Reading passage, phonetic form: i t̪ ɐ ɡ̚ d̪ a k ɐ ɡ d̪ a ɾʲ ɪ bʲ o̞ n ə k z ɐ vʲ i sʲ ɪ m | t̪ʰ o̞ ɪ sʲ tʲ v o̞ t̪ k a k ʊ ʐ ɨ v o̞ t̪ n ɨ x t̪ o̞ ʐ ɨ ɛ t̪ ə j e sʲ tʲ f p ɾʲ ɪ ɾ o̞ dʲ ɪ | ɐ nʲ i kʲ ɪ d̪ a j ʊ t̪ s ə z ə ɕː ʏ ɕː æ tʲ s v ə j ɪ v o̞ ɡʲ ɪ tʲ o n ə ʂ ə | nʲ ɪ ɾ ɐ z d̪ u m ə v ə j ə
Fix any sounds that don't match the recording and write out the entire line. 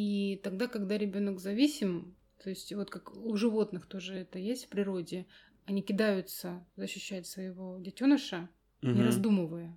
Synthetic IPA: i t̪ ɐ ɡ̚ d̪ a k ɐ ɡ d̪ a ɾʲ ɪ bʲ o̞ n ə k z ɐ vʲ i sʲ ɪ m | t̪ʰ o̞ ɪ sʲ tʲ v o̞ t̪ k a k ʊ ʐ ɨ v o̞ t̪ n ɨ x t̪ o̞ ʐ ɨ ɛ t̪ ə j e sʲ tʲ f p ɾʲ ɪ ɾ o̞ dʲ ɪ | ɐ nʲ i kʲ ɪ d̪ a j ʊ t̪ s ə z ə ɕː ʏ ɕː æ tʲ s v ə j ɪ v o̞ dʲ ɪ tʲ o n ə ʂ ə | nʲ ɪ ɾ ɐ z d̪ u m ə v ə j ə